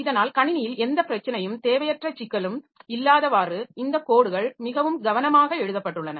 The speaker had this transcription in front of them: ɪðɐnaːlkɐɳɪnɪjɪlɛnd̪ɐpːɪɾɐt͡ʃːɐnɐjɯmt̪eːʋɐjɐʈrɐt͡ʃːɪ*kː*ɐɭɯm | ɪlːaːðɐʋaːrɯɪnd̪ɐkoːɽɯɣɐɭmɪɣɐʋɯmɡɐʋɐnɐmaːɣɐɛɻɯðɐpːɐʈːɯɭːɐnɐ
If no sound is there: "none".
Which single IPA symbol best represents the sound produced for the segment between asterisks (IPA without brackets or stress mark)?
kː